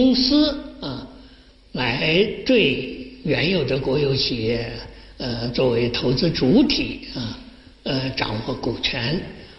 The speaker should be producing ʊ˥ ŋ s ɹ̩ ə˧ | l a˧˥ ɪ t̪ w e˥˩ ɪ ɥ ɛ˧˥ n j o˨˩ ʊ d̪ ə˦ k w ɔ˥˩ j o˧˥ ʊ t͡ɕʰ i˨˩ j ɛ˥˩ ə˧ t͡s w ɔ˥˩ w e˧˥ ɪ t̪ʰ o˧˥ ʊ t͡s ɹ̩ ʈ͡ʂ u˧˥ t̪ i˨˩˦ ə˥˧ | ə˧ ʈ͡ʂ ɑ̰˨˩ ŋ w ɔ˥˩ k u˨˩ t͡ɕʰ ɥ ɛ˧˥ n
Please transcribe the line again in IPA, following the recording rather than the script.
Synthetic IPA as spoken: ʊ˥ ŋ s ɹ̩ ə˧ | l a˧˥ ɪ t̪ w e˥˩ ɪ ɥ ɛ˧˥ n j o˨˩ ʊ d̪ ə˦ k w ɔ˧˥ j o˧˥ ʊ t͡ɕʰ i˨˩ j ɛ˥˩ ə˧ t͡s w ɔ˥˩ w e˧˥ ɪ t̪ʰ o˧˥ ʊ t͡s ɹ̩ ʈ͡ʂ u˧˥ t̪ʰ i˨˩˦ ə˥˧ | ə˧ ʈ͡ʂ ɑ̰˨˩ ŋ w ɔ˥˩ k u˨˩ t͡ɕʰ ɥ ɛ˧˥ n